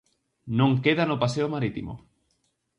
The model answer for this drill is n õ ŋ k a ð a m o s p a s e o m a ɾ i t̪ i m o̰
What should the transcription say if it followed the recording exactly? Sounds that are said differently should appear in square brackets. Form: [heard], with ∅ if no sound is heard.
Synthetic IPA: n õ ŋ k [e] ð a [n] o [∅] p a s e o m a ɾ i t̪ i m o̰